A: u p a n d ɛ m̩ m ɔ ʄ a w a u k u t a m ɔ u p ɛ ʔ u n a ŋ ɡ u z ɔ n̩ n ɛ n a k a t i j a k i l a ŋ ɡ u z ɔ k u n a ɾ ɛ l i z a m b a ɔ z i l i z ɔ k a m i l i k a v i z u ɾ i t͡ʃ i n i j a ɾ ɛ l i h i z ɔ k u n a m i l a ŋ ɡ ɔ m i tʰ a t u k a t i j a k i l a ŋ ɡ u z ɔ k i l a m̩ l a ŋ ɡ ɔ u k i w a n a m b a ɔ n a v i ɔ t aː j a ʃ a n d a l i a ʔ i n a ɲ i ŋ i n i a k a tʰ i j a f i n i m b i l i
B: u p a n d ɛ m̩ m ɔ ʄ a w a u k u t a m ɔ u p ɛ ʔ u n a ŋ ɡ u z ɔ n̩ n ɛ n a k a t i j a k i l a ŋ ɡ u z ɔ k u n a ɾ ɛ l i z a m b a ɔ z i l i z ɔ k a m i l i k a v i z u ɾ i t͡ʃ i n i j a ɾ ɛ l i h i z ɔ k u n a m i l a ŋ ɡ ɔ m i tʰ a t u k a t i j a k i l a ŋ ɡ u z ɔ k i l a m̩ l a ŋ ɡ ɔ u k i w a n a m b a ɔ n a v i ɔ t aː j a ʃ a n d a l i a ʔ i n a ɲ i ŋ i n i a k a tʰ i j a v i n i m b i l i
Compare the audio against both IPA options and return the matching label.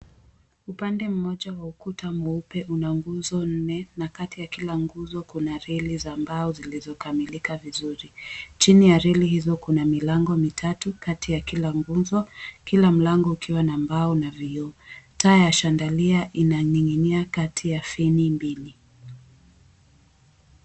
A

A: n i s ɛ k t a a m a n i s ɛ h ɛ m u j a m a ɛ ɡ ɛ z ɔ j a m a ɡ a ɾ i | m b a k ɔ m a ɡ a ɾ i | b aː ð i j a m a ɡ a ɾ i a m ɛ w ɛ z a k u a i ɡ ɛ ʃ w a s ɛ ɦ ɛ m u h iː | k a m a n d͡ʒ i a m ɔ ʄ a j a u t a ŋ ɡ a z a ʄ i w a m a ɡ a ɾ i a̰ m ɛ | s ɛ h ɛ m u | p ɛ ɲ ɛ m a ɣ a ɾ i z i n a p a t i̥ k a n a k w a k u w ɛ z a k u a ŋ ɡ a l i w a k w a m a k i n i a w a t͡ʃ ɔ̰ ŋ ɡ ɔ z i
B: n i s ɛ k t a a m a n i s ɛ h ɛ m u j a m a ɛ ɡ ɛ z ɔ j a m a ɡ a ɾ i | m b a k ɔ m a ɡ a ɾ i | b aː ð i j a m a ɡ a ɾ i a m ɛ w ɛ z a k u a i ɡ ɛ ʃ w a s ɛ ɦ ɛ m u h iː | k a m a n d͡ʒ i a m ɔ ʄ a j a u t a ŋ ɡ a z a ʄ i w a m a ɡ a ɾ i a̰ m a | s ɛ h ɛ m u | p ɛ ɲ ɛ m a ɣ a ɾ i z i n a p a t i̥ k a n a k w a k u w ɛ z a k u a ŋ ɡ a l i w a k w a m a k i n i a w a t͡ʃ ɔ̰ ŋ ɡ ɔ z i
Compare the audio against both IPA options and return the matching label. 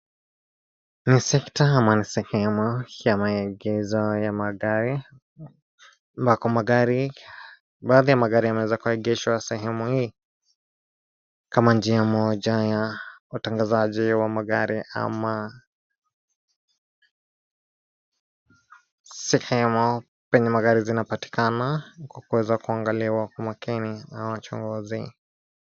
B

